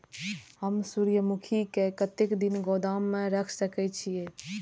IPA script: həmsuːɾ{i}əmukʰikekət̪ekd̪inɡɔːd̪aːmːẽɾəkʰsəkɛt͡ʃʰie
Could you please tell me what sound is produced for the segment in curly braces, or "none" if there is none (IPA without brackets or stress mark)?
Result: j